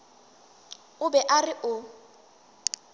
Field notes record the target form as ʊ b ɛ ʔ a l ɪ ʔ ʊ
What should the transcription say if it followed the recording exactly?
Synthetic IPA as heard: ʊ b ɛ ʔ a r ɪ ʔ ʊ

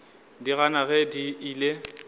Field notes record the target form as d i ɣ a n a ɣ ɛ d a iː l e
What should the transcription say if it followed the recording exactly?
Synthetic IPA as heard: d i ɣ a n a ɣ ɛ d i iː l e

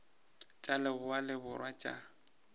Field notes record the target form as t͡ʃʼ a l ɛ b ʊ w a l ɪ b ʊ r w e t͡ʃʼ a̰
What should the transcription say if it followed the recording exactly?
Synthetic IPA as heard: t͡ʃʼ a l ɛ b ʊ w a l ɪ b ʊ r w a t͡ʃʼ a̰

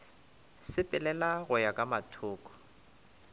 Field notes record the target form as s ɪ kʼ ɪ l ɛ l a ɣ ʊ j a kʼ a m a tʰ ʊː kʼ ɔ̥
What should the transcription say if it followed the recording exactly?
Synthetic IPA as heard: s ɪ pʼ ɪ l ɛ l a ɣ ʊ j a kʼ a m a tʰ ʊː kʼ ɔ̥

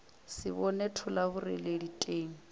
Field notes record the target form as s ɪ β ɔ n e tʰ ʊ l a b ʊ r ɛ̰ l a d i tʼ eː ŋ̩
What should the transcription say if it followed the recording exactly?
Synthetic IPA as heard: s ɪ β ɔ n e tʰ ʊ l a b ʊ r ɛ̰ l e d i tʼ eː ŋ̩

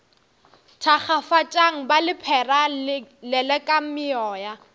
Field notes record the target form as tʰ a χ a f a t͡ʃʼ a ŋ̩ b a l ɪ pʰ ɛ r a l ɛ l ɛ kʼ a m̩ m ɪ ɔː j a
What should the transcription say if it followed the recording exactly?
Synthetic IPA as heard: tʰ a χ a f a t͡ʃʼ a ŋ̩ b a l ɪ pʰ ɛ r a l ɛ l ɛ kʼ a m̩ m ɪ ɔː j a

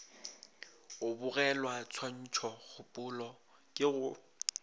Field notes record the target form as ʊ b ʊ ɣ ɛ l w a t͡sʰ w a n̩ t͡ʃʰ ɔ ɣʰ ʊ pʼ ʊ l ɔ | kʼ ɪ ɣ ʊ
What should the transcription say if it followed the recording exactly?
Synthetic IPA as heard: ʊ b ʊ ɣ ɛ l w a t͡sʰ w a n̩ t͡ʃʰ ɔ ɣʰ ʊ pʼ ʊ l ɔ | kʼ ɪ ɣ ʊ

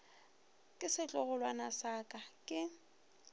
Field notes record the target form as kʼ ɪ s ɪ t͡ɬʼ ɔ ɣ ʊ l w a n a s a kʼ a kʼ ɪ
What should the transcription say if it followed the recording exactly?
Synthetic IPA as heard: kʼ ɪ s ɪ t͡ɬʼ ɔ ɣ ʊ l w a n a s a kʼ a kʼ ɪ

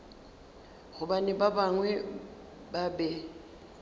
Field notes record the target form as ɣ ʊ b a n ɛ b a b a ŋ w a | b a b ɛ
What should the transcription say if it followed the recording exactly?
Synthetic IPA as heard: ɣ ʊ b a n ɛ b a b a ŋ w ɛ | b a b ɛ

